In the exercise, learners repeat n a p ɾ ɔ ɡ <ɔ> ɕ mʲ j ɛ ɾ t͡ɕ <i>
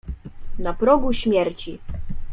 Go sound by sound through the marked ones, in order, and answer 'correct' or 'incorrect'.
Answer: incorrect, correct

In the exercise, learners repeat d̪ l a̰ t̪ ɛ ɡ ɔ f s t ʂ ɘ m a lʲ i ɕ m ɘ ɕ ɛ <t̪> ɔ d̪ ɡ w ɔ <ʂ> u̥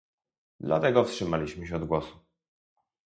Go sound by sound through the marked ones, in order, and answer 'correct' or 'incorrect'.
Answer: incorrect, incorrect

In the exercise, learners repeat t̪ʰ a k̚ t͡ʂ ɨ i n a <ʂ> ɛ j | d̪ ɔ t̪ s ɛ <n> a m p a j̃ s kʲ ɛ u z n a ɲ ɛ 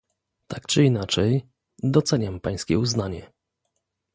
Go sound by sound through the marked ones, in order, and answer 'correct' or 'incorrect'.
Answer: incorrect, incorrect

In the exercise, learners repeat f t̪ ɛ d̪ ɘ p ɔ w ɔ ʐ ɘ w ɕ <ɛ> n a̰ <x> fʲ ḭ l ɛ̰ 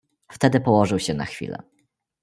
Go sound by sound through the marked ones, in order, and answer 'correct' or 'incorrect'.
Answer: correct, correct

